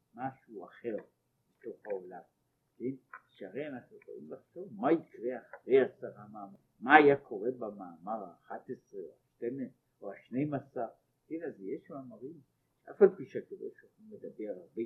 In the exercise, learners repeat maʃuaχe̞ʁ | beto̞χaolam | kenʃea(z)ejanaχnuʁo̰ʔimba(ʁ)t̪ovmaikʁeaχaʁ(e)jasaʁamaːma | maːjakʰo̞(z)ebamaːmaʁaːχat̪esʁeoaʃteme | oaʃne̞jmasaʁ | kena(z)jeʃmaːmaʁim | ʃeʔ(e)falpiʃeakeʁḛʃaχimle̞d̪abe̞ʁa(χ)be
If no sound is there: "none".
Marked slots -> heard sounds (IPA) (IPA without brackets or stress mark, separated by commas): ʁ, χ, e, ʁ, z, a, ʁ